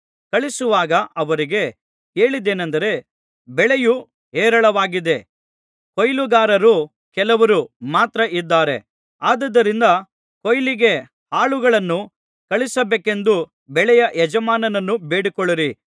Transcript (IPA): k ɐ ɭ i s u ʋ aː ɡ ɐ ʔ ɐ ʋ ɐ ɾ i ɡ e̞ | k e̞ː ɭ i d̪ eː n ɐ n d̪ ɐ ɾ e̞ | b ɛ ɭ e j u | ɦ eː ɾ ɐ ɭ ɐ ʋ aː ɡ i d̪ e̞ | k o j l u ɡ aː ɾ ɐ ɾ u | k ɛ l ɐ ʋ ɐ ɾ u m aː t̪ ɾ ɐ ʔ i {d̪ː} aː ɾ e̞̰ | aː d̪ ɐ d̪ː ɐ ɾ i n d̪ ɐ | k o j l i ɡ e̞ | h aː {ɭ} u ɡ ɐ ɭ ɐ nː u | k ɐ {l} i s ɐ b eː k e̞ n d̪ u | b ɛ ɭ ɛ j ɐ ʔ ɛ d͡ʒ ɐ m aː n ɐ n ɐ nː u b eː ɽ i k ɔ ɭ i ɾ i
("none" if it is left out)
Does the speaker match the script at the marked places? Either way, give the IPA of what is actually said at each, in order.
d̪ː, ɭ, ɭ

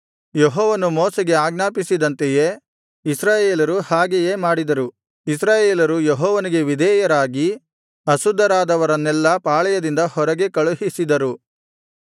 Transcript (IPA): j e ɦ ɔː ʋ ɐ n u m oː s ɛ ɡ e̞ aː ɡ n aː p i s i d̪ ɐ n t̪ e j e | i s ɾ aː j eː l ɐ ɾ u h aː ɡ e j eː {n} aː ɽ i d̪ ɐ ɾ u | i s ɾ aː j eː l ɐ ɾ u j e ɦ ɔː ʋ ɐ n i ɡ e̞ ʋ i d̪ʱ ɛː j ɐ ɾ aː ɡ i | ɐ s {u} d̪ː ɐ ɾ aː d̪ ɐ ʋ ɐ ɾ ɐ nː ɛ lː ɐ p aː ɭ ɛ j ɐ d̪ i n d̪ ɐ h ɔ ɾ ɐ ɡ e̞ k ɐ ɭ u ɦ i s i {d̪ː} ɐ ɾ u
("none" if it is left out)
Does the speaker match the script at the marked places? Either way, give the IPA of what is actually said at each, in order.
m, u, d̪

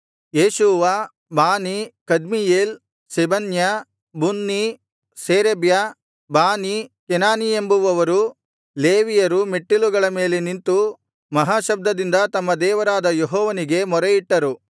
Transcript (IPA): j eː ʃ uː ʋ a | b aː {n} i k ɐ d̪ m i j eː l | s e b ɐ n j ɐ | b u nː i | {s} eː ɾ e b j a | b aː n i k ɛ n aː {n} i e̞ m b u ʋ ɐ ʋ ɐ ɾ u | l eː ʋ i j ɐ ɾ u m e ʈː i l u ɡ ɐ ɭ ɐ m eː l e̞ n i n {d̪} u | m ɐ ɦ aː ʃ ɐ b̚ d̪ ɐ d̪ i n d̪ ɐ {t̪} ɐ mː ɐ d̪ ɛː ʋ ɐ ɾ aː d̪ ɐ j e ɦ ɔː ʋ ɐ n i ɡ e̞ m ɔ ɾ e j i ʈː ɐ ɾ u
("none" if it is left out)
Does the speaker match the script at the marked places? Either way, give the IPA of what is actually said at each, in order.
n, s, n, t̪, t̪

